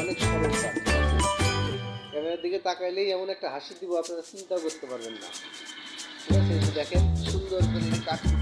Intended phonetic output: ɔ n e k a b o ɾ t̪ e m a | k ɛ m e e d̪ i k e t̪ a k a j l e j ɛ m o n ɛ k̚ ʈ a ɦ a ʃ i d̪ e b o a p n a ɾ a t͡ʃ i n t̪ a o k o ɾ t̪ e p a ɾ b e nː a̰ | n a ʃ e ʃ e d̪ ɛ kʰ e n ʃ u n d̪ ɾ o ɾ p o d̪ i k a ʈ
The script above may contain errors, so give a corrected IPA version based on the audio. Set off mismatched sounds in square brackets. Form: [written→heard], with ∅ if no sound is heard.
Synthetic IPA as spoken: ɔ n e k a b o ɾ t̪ [e→a] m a | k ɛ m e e d̪ i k e t̪ a k a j l e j ɛ m o n ɛ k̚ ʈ a ɦ a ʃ i d̪ [e→i] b o a p n a ɾ a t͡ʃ i n t̪ a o k o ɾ t̪ e p a ɾ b e nː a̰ | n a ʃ e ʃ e d̪ ɛ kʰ e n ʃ u n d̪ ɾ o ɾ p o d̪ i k a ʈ